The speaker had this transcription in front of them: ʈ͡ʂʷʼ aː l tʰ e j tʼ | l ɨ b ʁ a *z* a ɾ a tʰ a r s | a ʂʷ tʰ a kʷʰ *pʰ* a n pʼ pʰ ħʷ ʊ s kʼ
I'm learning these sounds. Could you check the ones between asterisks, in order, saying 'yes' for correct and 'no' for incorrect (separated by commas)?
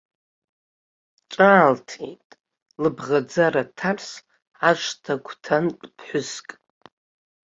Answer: no, no